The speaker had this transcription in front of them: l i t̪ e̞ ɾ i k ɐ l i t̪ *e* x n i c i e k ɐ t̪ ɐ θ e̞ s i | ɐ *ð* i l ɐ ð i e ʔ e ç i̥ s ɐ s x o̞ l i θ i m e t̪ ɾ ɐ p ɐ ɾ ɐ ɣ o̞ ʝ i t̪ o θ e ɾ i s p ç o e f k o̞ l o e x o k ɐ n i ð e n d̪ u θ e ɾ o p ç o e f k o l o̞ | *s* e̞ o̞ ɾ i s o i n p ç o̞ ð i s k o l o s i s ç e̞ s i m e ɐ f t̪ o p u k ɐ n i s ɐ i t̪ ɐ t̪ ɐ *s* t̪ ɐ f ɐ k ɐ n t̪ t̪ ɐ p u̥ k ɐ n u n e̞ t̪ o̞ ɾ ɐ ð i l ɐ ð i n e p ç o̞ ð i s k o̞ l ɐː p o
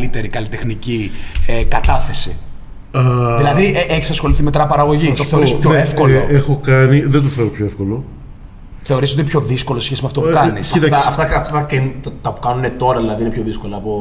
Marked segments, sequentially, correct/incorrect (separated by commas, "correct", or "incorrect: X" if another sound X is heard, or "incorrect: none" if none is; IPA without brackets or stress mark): correct, correct, incorrect: θ, incorrect: f